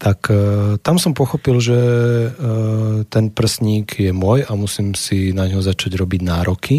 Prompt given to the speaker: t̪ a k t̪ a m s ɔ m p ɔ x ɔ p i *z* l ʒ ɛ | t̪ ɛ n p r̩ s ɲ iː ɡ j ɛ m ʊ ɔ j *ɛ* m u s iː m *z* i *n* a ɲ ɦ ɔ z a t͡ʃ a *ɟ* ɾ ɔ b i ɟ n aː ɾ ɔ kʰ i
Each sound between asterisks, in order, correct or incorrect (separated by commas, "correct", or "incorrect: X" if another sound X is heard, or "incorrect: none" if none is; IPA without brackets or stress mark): incorrect: none, incorrect: a, incorrect: s, correct, correct